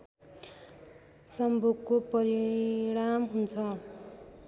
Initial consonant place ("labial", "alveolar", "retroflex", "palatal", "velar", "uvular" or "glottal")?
alveolar